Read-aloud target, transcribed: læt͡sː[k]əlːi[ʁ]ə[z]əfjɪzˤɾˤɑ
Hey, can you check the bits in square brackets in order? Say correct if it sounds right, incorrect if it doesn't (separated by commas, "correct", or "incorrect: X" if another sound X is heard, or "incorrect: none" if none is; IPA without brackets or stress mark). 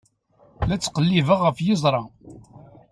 incorrect: q, incorrect: v, incorrect: ʁ